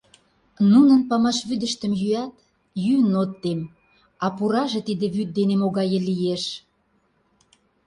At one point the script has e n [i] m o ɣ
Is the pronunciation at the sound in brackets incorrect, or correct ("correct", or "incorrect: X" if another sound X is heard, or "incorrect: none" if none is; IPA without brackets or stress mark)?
incorrect: e